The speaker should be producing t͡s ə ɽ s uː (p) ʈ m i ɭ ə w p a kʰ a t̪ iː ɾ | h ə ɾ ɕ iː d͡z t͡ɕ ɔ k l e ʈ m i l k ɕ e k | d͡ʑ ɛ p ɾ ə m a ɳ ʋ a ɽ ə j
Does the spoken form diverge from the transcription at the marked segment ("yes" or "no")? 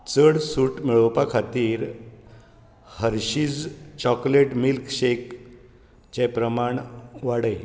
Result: yes